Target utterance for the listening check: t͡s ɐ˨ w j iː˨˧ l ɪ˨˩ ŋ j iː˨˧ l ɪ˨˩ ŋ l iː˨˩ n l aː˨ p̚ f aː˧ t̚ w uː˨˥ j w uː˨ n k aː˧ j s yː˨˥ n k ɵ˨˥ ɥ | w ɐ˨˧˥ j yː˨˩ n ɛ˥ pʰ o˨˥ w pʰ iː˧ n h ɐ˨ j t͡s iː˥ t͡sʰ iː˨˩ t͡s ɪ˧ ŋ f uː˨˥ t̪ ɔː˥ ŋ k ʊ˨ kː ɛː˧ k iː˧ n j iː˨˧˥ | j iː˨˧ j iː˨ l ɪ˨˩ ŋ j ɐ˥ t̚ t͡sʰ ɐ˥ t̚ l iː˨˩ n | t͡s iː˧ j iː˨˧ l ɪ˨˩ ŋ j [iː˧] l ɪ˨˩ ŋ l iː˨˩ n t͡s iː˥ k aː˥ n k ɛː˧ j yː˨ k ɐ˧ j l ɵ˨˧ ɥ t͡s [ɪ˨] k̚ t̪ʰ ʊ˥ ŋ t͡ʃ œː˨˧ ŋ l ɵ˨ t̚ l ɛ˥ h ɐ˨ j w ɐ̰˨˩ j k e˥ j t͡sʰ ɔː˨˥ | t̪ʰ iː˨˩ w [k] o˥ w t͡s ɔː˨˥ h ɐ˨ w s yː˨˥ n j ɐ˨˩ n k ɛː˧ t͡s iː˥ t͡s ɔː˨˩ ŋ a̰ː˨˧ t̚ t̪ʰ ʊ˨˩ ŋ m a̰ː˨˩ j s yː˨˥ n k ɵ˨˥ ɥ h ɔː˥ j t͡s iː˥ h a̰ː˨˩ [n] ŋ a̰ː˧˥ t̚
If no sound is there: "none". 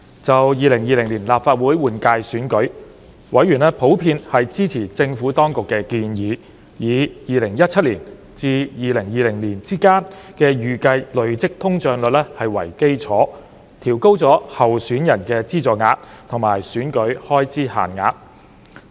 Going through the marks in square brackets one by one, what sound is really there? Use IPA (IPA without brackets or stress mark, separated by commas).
iː˧, ɪ˥, k, n